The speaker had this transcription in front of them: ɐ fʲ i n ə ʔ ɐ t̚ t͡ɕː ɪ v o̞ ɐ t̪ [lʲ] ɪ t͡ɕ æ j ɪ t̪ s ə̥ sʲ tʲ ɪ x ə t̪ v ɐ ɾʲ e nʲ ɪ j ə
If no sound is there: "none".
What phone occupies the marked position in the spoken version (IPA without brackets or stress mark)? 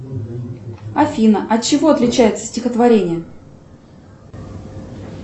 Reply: lʲ